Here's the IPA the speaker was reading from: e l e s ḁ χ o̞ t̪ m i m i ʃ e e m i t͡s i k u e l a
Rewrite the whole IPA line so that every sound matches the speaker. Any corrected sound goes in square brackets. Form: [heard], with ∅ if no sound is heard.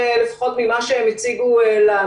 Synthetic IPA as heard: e l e [f] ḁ χ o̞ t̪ m i m [a] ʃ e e m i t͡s i [ɡ] u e l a